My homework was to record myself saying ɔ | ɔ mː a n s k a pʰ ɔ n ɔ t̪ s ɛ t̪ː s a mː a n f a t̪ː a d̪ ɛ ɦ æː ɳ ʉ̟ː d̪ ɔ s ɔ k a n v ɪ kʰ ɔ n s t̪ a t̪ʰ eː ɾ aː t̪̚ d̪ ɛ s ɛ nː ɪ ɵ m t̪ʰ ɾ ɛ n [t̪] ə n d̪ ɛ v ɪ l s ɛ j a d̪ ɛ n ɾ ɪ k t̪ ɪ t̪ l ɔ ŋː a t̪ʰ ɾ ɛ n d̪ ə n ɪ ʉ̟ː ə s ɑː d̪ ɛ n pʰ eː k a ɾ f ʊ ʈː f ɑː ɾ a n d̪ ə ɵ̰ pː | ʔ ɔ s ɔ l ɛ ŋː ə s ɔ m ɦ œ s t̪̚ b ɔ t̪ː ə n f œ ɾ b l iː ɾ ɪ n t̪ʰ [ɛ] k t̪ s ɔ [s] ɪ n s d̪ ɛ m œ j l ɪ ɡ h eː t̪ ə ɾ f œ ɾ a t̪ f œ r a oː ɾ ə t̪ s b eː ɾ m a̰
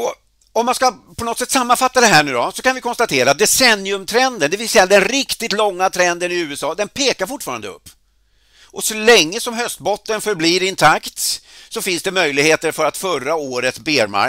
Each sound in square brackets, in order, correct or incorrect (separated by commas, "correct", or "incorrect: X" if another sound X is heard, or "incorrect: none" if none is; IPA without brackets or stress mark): incorrect: d̪, incorrect: a, incorrect: f